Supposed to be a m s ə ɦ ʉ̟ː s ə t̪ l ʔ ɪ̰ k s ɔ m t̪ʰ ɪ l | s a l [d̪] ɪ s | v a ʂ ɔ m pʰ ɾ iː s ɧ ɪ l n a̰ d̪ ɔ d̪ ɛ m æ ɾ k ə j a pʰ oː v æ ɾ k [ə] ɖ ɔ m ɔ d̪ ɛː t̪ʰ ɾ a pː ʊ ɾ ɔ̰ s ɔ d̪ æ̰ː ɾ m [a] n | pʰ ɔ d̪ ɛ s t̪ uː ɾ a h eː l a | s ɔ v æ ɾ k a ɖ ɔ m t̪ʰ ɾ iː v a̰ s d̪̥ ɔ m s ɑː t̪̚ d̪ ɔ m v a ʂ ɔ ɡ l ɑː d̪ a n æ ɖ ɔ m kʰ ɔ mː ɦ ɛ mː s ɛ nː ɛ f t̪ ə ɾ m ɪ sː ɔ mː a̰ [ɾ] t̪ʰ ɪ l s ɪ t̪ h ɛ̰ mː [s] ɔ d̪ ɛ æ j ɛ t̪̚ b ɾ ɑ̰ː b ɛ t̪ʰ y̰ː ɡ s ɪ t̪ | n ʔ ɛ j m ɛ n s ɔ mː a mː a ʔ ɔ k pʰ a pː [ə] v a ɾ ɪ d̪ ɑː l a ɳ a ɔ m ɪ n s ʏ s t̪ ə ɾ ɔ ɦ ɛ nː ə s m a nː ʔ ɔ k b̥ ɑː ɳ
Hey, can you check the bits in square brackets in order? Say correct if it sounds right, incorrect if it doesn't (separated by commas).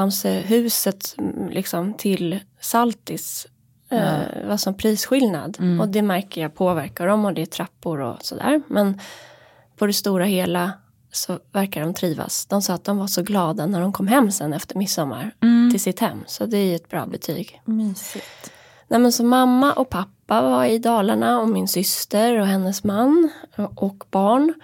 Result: incorrect, incorrect, incorrect, correct, correct, incorrect